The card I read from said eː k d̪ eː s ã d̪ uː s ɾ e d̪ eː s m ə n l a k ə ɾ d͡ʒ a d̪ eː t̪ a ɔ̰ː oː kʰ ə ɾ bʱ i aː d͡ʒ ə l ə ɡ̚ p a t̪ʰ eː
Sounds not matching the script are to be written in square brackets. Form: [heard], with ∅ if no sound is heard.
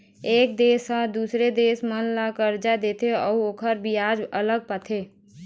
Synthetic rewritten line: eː k d̪ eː s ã d̪ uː s ɾ e d̪ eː s m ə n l a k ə ɾ d͡ʒ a d̪ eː t̪ [e] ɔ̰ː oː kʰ ə ɾ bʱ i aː d͡ʒ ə l ə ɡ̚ p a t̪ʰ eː